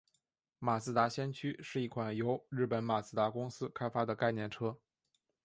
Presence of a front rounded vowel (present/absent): present